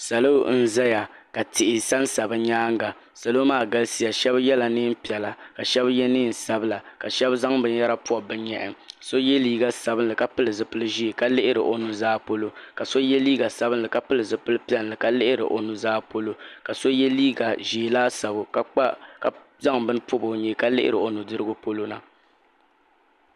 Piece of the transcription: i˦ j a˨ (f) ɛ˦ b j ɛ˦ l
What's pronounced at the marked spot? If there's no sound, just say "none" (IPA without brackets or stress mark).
ʃ